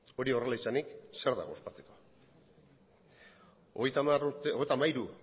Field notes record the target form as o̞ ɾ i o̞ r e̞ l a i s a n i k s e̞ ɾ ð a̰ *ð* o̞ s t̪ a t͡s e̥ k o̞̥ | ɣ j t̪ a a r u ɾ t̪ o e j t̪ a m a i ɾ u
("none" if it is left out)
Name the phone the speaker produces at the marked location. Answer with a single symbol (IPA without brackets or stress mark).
ɣ